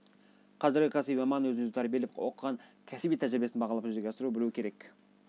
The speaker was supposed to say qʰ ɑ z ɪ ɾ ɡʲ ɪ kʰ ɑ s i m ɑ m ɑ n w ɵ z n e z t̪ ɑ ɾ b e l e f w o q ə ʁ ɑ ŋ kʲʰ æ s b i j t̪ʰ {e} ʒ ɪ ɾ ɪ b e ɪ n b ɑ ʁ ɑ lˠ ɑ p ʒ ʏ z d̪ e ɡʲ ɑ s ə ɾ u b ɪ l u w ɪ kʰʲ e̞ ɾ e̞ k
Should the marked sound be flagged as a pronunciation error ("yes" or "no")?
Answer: yes